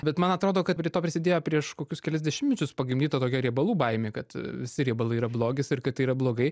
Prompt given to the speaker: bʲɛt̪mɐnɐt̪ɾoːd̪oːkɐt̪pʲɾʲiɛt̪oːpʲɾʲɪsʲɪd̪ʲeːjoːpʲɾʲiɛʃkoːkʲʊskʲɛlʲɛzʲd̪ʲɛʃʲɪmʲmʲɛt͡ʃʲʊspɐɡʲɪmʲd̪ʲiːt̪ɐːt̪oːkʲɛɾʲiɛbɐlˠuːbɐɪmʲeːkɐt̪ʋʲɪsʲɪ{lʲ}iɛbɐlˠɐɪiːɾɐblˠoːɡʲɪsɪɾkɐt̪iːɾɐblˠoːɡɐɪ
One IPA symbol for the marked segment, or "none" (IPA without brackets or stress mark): ɾʲ